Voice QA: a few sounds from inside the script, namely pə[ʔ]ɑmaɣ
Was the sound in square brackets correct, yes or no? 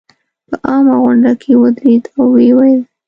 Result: yes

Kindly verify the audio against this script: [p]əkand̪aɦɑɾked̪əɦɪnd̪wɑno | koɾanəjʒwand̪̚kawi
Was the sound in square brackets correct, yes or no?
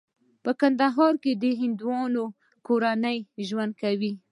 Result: yes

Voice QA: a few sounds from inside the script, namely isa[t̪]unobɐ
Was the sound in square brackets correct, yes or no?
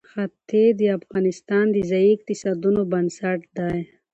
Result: no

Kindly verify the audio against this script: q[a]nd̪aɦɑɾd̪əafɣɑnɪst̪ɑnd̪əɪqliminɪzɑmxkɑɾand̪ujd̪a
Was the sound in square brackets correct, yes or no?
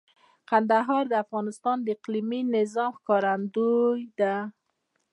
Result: yes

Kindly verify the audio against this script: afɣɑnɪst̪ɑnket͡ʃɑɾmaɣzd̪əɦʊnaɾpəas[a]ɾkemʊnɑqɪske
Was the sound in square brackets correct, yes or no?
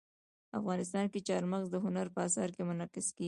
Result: no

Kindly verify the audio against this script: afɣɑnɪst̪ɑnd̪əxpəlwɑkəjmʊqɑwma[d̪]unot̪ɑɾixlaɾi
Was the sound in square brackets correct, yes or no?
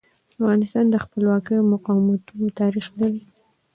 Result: no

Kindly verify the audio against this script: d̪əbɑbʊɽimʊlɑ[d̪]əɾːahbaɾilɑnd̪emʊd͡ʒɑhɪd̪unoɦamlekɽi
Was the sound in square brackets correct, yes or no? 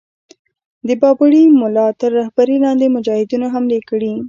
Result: no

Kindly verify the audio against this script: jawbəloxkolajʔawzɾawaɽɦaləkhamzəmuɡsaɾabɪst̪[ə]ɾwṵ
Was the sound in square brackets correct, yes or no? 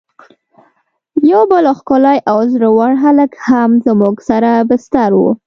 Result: no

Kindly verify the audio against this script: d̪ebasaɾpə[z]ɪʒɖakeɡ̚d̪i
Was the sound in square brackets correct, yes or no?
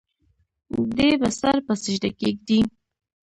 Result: no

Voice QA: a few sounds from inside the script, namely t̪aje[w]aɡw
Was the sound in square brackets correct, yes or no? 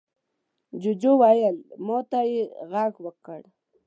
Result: no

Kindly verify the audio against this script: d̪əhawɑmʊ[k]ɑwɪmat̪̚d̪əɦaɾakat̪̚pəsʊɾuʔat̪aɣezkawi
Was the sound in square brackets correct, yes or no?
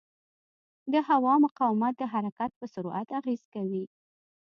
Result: no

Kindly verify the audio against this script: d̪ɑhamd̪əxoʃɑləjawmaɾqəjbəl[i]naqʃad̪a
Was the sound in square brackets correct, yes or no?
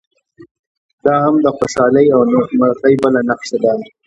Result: no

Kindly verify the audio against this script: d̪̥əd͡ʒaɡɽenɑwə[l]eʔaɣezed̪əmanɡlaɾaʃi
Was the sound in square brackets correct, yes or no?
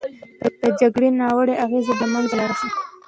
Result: no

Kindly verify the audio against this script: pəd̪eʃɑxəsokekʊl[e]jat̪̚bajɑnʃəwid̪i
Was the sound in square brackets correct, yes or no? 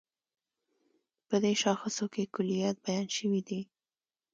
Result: no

